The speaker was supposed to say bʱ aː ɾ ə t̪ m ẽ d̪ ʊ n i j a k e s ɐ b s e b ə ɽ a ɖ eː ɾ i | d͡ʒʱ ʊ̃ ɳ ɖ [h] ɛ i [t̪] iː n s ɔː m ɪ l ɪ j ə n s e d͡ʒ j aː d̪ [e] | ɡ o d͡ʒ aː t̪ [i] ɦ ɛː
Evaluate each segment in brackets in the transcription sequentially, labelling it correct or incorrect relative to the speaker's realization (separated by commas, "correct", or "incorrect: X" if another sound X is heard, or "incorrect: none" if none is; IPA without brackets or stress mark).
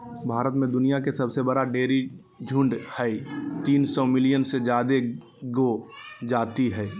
correct, correct, correct, correct